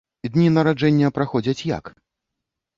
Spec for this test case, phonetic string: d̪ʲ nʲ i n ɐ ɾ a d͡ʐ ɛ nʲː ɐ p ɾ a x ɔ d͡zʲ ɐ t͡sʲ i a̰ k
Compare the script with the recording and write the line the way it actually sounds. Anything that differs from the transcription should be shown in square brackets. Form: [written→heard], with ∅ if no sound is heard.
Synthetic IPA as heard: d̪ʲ nʲ i n ɐ ɾ a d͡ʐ ɛ nʲː ɐ p ɾ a x ɔ d͡zʲ ɐ t͡sʲ [i→j] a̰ k